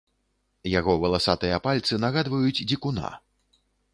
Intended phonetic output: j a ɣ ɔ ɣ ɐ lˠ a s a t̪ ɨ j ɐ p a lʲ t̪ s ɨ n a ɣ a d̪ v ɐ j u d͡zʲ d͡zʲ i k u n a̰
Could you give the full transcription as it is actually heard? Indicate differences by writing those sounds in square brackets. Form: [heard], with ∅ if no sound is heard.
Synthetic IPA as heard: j a ɣ ɔ [v] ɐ lˠ a s a t̪ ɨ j ɐ p a lʲ t̪ s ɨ n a ɣ a d̪ v ɐ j u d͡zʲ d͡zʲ i k u n a̰